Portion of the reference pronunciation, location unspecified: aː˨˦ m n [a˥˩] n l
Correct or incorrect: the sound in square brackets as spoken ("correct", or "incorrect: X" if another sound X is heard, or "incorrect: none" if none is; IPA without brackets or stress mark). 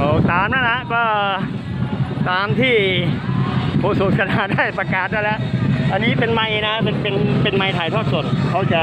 incorrect: a˦˥